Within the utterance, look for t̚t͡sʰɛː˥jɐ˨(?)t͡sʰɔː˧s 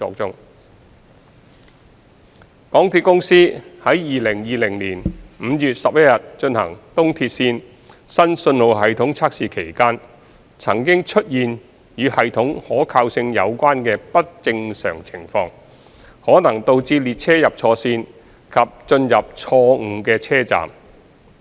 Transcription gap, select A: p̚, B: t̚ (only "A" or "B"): A